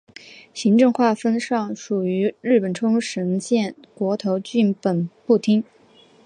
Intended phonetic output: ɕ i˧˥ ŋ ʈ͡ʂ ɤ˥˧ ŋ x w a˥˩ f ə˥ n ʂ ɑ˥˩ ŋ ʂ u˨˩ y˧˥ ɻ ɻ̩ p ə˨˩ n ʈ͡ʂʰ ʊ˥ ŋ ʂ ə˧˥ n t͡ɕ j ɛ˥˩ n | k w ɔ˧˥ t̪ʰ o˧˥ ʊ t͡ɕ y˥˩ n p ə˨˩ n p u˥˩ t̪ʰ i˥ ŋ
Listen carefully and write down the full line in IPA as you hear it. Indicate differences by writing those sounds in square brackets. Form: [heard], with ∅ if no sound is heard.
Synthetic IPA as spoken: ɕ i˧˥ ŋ ʈ͡ʂ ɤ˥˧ ŋ x w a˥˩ f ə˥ n ʂ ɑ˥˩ ŋ ʂ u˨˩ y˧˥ ɻ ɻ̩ p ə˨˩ n ʈ͡ʂʰ ʊ˥ ŋ ʂ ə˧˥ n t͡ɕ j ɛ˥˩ n | k w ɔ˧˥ t̪ʰ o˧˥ ʊ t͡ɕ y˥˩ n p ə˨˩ n p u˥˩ t̪ʰ i˥ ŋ